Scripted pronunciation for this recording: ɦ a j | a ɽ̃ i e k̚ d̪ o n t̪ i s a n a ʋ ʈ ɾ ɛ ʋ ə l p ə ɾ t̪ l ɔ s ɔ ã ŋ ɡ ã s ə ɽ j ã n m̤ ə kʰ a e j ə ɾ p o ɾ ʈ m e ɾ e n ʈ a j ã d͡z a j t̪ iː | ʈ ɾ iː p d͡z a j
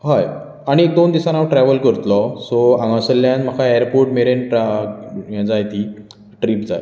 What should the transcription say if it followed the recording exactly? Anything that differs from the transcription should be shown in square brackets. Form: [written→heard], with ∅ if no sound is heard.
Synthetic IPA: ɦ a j | a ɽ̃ i e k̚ d̪ o n [t̪→d̪] i s a n a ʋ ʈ ɾ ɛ ʋ ə l [p→k] ə ɾ t̪ l ɔ s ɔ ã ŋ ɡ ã s ə [ɽ→l] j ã n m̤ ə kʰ a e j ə ɾ p o ɾ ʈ m e ɾ e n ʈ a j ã d͡z a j t̪ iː | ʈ ɾ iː p d͡z a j